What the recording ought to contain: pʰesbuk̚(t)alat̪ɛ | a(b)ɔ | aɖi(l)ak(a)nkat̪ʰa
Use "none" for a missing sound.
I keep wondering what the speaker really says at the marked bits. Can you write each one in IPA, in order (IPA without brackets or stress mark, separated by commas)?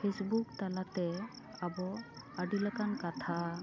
t, b, l, a